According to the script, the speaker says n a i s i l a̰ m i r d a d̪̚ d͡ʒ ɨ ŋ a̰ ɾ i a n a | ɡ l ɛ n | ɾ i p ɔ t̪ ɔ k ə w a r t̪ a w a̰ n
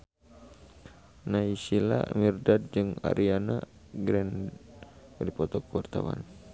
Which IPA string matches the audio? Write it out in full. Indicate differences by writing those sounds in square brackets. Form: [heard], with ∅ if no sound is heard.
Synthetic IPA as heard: n a i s i l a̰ m i r d a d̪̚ d͡ʒ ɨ ŋ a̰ ɾ i a n a | ɡ [ɾ] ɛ n | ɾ i p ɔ t̪ ɔ k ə w a r t̪ a w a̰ n